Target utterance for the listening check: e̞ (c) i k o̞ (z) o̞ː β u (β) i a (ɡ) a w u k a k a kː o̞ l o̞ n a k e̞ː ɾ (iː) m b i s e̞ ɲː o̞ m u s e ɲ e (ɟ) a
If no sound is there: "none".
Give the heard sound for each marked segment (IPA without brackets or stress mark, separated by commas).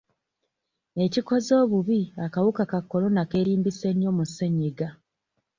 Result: c, z, β, k, iː, ɡ